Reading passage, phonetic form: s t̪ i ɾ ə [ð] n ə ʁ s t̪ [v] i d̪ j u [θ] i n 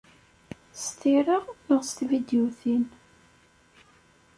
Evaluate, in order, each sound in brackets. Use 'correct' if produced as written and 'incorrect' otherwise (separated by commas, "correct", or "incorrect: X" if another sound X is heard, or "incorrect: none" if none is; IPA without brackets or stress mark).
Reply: incorrect: ʁ, correct, correct